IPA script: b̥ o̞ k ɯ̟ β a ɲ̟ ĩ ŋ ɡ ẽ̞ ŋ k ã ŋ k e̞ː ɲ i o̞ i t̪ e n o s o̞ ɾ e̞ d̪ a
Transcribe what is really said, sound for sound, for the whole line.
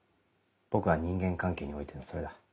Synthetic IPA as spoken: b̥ o̞ k ɯ̟ β a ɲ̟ ĩ ŋ ɡ ẽ̞ ŋ k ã ŋ k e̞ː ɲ i o̞ i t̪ e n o s o̞ ɾ e̞ d̪ a